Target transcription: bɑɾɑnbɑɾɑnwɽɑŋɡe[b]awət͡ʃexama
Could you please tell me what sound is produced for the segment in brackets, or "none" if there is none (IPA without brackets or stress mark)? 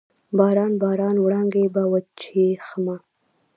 b